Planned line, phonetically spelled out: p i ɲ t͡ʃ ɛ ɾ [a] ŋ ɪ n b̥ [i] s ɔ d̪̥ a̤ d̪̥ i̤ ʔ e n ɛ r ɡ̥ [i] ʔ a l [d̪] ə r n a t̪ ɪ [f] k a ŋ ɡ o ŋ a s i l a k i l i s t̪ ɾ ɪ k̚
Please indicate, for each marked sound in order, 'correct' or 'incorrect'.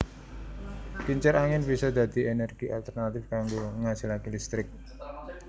correct, correct, correct, incorrect: t̪, correct

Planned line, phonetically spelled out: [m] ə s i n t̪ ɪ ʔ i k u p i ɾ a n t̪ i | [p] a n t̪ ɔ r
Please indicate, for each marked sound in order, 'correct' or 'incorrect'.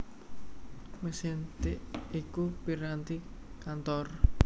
correct, incorrect: k

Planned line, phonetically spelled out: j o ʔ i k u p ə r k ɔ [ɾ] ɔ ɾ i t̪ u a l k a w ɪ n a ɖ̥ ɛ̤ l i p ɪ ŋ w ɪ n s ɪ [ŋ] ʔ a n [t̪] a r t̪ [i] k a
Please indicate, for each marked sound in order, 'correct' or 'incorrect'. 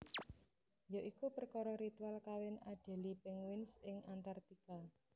correct, correct, correct, correct

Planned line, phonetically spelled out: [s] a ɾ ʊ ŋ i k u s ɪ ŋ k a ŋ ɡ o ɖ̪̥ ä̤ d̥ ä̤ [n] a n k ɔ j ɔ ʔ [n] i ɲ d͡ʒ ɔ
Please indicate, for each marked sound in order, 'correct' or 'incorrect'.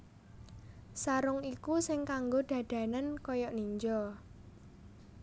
correct, correct, correct

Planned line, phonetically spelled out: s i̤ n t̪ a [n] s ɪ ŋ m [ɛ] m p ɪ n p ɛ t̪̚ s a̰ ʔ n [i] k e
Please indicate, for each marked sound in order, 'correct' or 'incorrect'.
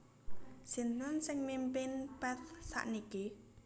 correct, incorrect: i, correct

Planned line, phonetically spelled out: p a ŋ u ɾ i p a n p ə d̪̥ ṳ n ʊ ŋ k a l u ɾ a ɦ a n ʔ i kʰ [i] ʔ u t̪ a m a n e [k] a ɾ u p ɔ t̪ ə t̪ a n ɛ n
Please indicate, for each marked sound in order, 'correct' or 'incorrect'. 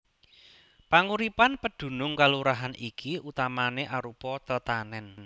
correct, incorrect: ʔ

